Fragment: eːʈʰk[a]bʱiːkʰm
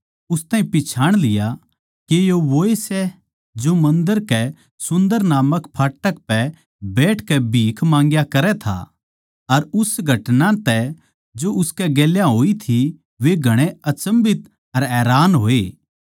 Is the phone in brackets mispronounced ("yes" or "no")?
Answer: yes